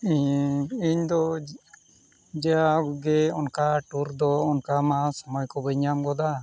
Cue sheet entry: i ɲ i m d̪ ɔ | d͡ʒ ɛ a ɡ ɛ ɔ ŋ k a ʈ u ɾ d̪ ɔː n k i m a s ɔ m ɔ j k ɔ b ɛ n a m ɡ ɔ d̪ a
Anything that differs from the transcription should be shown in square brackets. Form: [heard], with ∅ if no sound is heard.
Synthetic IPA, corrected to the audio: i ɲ i [ɲ] d̪ ɔ | d͡ʒ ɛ a ɡ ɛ ɔ [n] k a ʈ u ɾ d̪ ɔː n k [a] m a s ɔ m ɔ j k ɔ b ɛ [ɲ] a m ɡ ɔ d̪ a